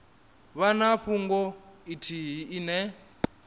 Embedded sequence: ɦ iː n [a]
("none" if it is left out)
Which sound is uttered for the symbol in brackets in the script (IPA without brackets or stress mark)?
ɛ